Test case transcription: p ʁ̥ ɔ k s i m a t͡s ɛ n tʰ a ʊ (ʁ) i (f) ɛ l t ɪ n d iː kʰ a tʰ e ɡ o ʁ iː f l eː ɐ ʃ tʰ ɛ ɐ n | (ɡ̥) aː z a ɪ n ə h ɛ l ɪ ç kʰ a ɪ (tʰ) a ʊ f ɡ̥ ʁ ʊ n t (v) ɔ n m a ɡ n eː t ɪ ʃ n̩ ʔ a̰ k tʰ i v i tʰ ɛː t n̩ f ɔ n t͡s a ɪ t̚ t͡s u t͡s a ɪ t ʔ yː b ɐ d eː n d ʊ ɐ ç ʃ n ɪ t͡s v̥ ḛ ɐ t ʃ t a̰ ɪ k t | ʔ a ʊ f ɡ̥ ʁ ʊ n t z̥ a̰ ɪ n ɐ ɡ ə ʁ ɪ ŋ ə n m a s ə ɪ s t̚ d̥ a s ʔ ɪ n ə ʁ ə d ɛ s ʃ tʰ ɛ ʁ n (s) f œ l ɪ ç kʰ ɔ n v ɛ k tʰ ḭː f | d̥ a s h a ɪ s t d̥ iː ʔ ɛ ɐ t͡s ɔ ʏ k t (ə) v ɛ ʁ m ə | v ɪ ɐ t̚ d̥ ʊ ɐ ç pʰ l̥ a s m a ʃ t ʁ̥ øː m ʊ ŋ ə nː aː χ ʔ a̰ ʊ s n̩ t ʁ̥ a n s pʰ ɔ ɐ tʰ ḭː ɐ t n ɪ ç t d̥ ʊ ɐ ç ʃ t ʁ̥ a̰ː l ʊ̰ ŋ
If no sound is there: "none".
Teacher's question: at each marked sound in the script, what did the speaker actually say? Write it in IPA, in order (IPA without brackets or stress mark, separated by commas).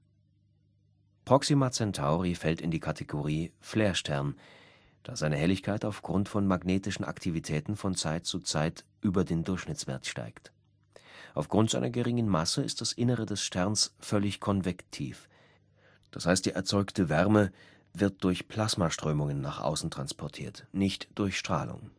ʁ, f, d̥, t, f, s, ə